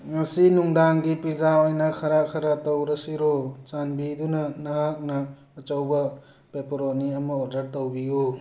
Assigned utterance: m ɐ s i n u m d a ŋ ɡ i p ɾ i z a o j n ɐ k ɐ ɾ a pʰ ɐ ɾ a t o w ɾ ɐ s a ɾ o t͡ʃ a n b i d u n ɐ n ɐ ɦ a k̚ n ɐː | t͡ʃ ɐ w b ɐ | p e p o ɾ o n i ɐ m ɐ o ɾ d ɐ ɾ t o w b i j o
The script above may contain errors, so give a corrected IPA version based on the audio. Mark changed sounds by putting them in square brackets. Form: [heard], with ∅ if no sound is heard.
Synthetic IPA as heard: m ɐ s i n u [ŋ] d a ŋ ɡ i p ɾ i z a o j n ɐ [kʰ] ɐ ɾ a [kʰ] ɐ ɾ a t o w ɾ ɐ s [i] ɾ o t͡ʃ a n b i d u n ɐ n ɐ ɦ a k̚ n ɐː | t͡ʃ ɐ w b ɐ | p e p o ɾ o n i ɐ m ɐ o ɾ d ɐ ɾ t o w b i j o